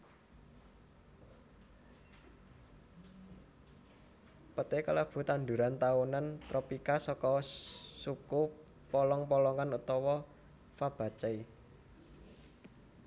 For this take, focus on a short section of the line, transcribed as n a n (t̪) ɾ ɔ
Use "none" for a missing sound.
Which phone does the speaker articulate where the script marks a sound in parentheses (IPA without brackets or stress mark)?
t̪